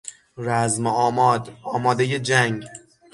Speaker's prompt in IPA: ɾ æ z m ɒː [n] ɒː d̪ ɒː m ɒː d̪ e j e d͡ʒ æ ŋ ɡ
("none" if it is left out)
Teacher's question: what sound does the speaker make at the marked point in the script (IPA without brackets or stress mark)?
m